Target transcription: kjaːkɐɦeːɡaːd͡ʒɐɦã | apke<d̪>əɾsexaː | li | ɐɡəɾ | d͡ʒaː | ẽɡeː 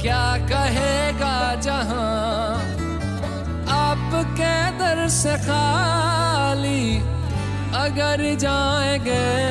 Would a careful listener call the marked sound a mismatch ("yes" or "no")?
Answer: no